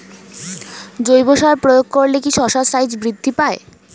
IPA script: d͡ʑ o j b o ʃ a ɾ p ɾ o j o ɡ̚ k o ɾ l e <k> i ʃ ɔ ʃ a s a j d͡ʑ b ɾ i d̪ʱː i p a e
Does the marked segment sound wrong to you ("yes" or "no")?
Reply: no